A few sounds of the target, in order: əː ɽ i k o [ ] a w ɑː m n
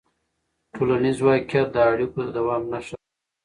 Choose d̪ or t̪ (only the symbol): d̪